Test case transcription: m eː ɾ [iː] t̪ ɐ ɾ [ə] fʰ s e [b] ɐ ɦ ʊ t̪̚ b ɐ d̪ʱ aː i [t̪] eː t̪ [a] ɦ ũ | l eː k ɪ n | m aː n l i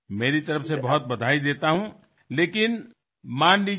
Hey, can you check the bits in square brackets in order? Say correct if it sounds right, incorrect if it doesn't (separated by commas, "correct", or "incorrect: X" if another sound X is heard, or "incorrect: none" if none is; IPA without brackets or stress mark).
incorrect: i, correct, correct, incorrect: d̪, correct